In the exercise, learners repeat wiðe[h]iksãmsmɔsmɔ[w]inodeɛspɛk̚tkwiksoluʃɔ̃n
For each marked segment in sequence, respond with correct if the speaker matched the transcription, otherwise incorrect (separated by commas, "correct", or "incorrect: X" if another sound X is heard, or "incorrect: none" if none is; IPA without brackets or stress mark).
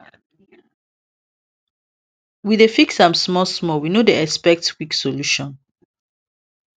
incorrect: f, correct